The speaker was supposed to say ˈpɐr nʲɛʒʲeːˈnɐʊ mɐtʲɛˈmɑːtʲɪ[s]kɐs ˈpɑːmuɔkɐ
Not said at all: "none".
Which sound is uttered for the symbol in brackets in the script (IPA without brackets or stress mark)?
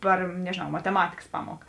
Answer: none